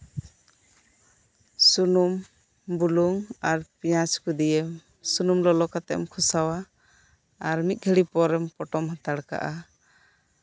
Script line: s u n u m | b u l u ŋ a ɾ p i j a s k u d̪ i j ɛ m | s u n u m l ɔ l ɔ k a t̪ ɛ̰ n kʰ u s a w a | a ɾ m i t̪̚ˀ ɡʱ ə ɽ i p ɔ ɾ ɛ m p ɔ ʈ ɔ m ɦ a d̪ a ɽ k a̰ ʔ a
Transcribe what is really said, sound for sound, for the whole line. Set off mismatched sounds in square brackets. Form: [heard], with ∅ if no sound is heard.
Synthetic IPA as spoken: s u n u m | b u l u ŋ a ɾ p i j a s k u d̪ i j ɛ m | s u n u m l ɔ l ɔ k a t̪ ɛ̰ [m] kʰ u s a w a | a ɾ m i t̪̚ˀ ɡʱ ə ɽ i p ɔ ɾ ɛ m p ɔ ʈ ɔ m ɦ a [t̪] a ɽ k a̰ ʔ a